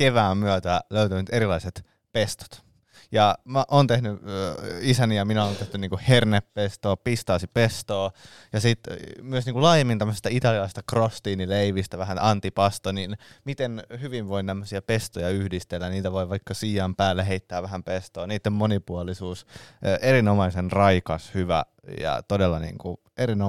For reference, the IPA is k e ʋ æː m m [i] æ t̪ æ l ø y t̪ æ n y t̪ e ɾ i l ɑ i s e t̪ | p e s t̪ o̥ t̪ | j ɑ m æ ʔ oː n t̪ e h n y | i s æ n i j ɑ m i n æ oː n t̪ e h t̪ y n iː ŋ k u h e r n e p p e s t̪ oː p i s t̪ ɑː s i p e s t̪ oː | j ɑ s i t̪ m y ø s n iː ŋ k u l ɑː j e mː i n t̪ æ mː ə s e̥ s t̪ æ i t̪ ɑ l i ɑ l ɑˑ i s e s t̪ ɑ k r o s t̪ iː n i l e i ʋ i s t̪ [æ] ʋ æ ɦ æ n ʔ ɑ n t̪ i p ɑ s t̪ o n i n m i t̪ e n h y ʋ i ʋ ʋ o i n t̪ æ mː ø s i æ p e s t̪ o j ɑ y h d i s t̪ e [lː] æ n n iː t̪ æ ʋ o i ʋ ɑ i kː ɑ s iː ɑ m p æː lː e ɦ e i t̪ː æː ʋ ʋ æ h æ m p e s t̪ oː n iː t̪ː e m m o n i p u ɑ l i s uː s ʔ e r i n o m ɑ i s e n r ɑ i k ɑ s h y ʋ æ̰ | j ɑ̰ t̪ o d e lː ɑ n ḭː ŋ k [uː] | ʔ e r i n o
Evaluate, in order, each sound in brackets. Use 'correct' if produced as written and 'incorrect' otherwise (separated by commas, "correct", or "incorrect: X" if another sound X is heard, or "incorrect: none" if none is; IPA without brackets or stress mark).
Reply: incorrect: y, correct, correct, incorrect: u